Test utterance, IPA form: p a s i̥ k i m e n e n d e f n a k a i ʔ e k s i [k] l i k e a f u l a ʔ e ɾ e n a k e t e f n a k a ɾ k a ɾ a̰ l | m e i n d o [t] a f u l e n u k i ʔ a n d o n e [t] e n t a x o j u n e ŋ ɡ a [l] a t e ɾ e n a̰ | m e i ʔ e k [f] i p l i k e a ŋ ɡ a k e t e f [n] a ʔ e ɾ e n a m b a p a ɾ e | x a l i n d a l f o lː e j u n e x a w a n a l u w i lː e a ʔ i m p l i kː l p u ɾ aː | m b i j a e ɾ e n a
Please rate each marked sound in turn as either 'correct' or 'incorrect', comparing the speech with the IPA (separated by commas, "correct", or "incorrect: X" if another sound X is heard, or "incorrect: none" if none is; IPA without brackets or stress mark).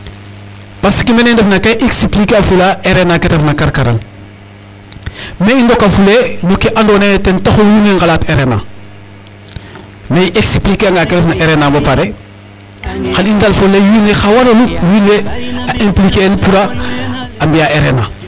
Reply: incorrect: p, incorrect: k, correct, correct, incorrect: s, correct